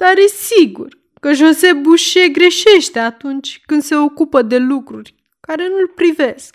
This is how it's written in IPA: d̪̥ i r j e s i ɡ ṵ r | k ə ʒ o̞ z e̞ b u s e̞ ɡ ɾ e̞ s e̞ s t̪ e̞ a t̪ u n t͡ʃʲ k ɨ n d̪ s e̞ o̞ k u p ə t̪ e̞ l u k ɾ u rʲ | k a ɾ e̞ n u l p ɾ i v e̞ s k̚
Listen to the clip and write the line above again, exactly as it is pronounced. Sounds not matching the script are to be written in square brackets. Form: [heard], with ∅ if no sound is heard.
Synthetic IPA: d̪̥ [a] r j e s i ɡ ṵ r | k ə ʒ o̞ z e̞ b u [ʃ] e̞ ɡ ɾ e̞ [ʃ] e̞ [ʃ] t̪ e̞ a t̪ u n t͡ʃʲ k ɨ n d̪ s e̞ o̞ k u p ə [d̪] e̞ l u k ɾ u rʲ | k a ɾ e̞ n u l p ɾ i v e̞ s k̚